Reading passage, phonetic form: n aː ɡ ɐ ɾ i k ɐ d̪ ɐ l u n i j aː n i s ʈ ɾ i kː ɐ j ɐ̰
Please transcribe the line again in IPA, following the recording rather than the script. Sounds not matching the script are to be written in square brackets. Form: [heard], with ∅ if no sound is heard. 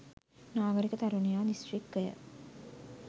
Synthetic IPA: n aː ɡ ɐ ɾ i k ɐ [t̪] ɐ [ɾ] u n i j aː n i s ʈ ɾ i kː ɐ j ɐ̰

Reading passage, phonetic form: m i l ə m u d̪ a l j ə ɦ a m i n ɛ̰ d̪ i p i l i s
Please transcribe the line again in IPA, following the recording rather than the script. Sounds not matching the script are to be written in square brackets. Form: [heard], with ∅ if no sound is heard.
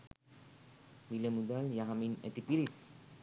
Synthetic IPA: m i l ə m u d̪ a l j [a] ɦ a m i n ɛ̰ [t̪] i p i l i s

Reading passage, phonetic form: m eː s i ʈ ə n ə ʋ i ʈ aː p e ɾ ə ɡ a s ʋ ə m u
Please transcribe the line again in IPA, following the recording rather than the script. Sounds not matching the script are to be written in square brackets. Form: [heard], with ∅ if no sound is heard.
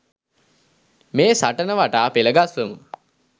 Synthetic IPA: m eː s [a] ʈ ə n ə ʋ [a] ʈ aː p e [l] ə ɡ a s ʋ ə m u

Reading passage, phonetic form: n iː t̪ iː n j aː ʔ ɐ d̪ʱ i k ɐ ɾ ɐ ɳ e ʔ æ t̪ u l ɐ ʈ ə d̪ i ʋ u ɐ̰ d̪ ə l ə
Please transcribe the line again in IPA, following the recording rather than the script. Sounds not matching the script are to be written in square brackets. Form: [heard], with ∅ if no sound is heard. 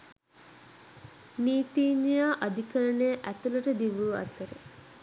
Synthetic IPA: n iː t̪ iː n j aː ʔ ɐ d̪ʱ i k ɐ ɾ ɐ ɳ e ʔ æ t̪ u l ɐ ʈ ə d̪ i ʋ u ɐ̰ [t̪] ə [ɾ] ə

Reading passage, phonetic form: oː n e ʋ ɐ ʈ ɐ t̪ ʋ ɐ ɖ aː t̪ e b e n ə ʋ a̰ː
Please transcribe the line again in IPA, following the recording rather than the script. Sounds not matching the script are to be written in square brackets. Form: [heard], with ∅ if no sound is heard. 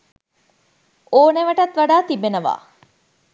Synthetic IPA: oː n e ʋ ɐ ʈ ɐ t̪ ʋ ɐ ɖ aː t̪ [i] b e n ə ʋ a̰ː

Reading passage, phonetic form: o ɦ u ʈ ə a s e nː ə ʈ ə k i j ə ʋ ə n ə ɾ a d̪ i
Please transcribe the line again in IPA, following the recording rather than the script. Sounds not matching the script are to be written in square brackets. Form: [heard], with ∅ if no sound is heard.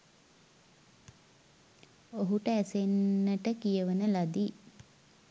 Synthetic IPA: o ɦ u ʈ ə [æ] s e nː ə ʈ ə k i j ə ʋ ə n ə [l] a d̪ i

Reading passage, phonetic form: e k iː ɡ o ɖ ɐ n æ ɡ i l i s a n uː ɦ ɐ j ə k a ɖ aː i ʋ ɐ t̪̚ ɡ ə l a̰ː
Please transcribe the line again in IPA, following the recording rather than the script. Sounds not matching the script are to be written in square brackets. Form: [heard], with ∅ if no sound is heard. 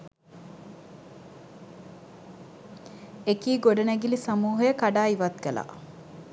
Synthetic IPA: e k iː ɡ o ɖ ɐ n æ ɡ i l i s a [m] uː ɦ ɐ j ə k a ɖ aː i ʋ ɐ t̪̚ ɡ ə l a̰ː

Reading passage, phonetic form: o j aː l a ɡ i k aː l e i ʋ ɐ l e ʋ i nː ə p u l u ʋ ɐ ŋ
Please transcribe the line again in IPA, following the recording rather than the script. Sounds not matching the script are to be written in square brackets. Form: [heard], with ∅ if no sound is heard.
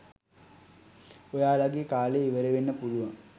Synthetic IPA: o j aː l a ɡ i k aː l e i ʋ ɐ [ɾ] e ʋ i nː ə p u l u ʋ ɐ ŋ

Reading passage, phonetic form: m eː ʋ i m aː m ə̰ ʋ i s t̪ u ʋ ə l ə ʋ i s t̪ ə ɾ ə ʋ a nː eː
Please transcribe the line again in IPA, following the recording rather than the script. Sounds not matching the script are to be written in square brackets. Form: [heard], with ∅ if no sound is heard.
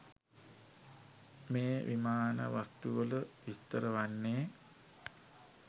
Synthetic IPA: m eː ʋ i m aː [n] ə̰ ʋ [a] s t̪ u ʋ ə l ə ʋ i s t̪ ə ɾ ə ʋ a nː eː

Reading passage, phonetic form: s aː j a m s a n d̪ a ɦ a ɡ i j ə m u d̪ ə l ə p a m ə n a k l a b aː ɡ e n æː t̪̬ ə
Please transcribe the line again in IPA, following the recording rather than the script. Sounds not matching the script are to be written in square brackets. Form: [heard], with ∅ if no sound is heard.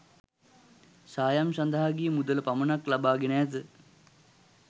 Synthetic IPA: s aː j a m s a n d̪ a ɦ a ɡ i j ə m u d̪ ə l ə p a m ə n a k l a b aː ɡ e n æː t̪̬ ə

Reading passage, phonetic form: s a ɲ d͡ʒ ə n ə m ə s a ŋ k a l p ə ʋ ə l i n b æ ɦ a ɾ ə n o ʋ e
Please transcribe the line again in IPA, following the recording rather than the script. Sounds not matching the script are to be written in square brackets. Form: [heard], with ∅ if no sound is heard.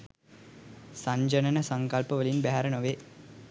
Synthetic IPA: s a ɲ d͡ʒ ə n ə [n] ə s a ŋ k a l p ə ʋ ə l i n b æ ɦ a ɾ ə n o ʋ e

